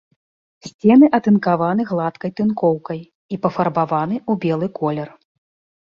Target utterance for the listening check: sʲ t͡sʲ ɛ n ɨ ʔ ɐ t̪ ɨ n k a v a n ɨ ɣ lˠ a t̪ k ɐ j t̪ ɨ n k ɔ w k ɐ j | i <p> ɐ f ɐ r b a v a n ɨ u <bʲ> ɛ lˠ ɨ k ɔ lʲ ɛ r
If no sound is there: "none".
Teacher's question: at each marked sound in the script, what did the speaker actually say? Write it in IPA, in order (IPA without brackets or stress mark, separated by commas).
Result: p, bʲ